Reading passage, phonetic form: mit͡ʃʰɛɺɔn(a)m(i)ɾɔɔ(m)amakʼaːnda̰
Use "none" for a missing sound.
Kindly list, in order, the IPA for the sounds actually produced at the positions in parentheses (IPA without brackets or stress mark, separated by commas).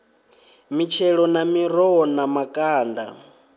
a, i, n